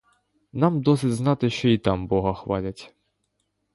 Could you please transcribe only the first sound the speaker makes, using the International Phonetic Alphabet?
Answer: n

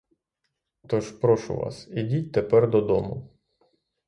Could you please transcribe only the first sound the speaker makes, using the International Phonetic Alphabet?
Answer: t̪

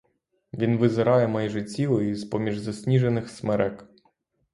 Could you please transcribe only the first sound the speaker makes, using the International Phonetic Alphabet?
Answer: ʋʲ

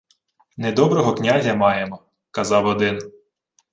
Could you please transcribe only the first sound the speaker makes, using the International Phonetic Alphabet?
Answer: n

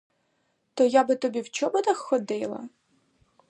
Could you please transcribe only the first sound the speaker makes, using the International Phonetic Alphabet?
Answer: t̪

